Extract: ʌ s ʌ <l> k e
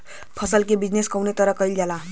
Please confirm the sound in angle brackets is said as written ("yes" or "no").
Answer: yes